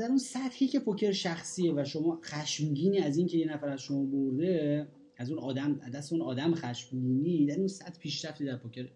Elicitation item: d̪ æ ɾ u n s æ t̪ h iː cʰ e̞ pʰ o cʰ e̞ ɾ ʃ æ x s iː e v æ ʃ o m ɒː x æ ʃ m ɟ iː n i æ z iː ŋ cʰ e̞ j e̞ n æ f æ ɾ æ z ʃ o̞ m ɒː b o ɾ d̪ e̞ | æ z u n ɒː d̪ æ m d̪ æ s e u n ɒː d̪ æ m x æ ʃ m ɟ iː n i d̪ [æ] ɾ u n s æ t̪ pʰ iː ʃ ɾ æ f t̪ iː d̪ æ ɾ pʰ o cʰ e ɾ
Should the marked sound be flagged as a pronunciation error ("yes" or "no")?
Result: no